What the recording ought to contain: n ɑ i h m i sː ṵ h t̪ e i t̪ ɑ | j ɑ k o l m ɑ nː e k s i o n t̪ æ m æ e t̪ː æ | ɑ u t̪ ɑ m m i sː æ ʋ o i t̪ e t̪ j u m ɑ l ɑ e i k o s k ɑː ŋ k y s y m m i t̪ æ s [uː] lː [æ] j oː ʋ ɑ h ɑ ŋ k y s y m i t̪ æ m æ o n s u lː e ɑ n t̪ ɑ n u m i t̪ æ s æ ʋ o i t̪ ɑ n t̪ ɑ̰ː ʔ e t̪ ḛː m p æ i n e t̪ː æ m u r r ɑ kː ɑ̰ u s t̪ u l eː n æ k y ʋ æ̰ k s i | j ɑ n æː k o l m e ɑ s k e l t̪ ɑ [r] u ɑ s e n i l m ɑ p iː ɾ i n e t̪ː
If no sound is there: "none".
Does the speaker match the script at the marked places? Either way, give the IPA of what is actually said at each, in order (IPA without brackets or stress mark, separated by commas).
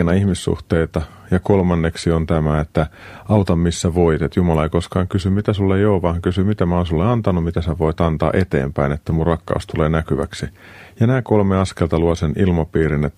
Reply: u, e, l